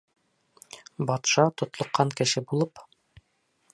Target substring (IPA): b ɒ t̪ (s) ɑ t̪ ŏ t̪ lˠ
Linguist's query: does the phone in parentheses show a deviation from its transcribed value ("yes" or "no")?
yes